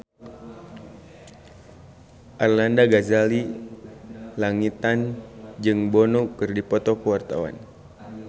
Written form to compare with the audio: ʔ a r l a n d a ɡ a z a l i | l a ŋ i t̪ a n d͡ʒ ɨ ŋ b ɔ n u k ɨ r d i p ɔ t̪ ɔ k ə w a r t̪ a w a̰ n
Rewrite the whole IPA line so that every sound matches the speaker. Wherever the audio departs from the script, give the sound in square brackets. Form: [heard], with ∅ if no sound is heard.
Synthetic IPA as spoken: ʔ a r l a n d a ɡ a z a l i | l a ŋ i t̪ a n d͡ʒ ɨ ŋ b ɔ n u k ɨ r d i p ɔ t̪ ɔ k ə w a r t̪ a w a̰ n